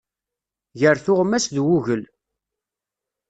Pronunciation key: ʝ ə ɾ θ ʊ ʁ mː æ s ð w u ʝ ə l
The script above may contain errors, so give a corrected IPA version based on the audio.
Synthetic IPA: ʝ ə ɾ θ ʊ ʁ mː æ s ð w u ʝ ə l